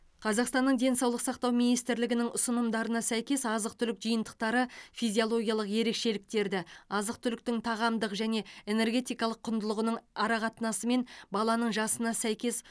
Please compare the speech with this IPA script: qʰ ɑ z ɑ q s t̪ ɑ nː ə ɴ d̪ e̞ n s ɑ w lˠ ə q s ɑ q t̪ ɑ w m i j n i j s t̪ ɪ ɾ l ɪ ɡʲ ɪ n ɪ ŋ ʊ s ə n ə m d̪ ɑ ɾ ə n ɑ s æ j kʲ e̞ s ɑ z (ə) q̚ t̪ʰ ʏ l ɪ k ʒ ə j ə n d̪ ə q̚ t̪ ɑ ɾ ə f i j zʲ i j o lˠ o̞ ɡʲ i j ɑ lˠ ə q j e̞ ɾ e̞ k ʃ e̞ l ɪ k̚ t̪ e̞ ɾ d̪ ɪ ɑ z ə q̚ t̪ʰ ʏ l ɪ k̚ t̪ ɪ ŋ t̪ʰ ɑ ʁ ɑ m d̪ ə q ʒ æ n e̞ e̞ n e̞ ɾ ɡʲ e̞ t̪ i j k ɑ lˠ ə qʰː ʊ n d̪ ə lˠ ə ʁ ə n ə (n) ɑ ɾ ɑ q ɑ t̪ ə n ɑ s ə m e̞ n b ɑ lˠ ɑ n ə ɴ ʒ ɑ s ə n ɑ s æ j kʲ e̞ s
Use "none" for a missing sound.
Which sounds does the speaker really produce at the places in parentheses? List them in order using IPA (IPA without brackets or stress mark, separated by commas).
ə, ɴ